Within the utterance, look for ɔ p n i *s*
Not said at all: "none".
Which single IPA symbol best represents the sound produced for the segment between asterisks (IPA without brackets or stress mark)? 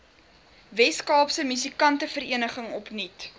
t